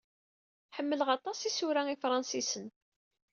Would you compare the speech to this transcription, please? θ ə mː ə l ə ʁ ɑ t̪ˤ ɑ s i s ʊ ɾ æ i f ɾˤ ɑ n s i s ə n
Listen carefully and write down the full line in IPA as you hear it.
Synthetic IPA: ħ ə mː ə l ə ʁ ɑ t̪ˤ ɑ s i s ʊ ɾ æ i f ɾˤ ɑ n s i s ə n